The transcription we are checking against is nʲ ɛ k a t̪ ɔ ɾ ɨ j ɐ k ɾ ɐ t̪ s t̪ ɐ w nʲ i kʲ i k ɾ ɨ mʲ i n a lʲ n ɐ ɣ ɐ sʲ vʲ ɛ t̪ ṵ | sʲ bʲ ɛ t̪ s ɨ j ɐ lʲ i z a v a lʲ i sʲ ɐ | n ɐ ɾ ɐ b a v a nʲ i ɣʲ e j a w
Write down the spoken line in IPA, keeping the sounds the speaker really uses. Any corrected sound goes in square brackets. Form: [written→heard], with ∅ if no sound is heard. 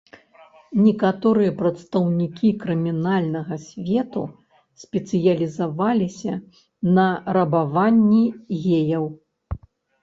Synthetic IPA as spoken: nʲ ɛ k a t̪ ɔ ɾ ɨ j ɐ [k→p] ɾ ɐ t̪ s t̪ ɐ w nʲ i kʲ i k ɾ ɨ mʲ i n a lʲ n ɐ ɣ ɐ sʲ vʲ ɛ t̪ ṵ | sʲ [bʲ→pʲ] ɛ t̪ s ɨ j ɐ lʲ i z a v a lʲ i sʲ ɐ | n ɐ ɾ ɐ b a v a [nʲ→nʲː] i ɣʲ e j [a→ɐ] w